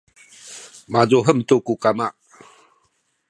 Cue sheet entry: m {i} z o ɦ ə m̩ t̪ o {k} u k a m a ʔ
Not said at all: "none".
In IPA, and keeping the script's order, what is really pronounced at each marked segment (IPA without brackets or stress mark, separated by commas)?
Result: a, k